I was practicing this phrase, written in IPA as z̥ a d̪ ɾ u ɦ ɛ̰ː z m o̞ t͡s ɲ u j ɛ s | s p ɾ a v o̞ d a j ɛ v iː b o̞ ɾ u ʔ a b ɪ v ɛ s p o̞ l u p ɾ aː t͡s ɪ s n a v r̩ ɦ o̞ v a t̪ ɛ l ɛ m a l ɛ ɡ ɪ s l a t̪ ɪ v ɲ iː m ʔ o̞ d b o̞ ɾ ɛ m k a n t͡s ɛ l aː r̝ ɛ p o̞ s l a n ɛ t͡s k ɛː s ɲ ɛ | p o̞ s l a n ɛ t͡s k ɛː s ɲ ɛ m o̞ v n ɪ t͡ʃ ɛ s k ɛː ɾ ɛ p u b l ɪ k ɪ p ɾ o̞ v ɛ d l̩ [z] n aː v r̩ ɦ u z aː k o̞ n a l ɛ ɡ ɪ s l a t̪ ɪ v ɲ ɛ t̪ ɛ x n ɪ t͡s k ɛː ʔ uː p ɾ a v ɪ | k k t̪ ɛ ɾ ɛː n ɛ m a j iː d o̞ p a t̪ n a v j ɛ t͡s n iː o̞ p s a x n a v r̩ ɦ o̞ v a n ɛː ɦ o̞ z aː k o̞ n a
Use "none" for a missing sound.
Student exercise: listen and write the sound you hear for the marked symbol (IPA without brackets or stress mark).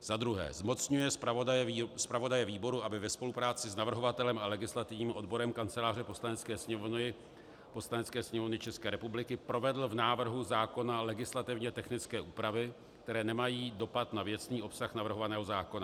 v